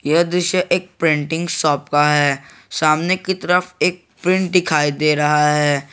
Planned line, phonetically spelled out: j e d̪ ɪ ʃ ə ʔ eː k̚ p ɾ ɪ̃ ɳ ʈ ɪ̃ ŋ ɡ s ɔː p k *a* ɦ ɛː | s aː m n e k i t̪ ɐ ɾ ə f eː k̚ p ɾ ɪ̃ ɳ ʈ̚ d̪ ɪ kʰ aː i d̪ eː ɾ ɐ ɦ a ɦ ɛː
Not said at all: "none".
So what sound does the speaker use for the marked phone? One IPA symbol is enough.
a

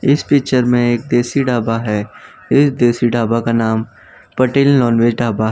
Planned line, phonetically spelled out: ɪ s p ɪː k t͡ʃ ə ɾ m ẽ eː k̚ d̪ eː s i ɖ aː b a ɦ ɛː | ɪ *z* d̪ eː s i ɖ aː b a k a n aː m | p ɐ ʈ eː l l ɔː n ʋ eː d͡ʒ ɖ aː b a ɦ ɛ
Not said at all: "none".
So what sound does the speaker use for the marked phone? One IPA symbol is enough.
s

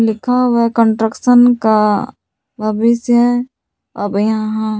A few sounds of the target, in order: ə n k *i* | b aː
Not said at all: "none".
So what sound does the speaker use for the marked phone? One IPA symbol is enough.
a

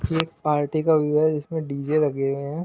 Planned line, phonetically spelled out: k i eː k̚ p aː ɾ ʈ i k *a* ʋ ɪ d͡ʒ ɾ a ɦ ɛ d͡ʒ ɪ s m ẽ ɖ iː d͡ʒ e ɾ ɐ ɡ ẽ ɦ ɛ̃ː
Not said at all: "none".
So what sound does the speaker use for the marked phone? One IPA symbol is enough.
a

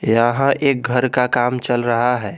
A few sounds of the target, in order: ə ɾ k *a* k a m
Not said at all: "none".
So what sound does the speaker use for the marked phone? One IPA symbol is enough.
a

